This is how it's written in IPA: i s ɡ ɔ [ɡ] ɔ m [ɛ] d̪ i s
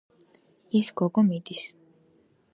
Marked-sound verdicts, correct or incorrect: correct, incorrect

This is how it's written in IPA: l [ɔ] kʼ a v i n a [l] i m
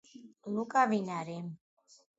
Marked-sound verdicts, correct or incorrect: incorrect, incorrect

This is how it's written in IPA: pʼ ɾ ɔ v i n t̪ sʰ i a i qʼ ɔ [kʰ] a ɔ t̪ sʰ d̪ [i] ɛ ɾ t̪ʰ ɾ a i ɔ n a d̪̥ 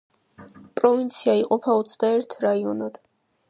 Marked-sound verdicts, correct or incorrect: incorrect, incorrect

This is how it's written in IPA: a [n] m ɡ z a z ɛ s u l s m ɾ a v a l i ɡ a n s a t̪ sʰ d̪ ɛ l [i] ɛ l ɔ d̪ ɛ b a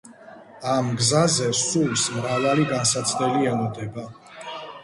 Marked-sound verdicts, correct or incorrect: incorrect, correct

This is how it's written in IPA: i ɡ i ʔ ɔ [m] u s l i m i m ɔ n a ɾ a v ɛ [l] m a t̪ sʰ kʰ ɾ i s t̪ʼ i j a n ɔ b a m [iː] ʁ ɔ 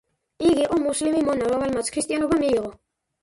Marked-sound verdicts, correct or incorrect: correct, correct, correct

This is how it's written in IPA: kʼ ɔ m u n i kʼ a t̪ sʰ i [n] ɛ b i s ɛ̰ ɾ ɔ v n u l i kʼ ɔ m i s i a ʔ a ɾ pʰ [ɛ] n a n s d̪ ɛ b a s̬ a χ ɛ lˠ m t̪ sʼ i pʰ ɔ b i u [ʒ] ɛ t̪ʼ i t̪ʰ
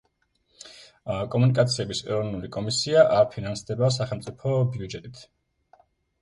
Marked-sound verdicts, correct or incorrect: incorrect, incorrect, incorrect

